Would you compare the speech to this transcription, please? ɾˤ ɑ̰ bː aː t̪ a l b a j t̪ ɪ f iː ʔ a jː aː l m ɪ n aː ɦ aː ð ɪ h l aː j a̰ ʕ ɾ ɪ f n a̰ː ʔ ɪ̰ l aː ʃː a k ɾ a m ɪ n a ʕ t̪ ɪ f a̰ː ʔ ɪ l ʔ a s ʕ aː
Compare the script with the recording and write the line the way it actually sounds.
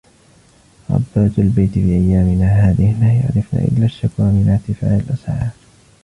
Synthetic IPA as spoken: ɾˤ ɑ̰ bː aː t̪ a l b a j t̪ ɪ f iː ʔ a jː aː m ɪ n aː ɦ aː ð ɪ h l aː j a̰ ʕ ɾ ɪ f n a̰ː ʔ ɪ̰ lː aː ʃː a k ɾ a m ɪ n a ʕ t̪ ɪ f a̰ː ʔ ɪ l ʔ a s ʕ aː